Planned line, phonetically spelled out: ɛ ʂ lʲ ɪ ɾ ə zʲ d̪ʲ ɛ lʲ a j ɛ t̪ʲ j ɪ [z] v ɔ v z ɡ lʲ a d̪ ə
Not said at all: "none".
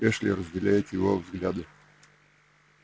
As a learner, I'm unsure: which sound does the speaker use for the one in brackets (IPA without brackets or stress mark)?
none